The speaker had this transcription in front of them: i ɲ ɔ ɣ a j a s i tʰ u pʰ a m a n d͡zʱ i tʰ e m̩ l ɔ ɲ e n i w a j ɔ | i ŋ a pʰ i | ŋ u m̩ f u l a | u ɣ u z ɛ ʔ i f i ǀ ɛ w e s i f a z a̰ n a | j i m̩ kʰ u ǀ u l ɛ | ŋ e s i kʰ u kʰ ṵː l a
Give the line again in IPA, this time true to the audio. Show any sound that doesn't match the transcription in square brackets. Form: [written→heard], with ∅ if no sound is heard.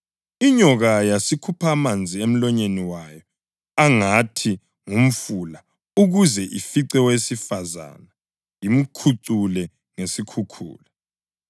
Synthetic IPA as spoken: i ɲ ɔ ɣ a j a s i [tʰ→kʰ] u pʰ a m a n d͡zʱ i [tʰ→∅] e m̩ l ɔ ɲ e n i w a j ɔ | [i→a] ŋ a [pʰ→tʰ] i | ŋ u m̩ f u l a | u ɣ u z ɛ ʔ i f i ǀ ɛ w e s i f a z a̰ n a | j i m̩ kʰ u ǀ u l ɛ | ŋ e s i kʰ u kʰ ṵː l a